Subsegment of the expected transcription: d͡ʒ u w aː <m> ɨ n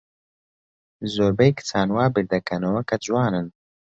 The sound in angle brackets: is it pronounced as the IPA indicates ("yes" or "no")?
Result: no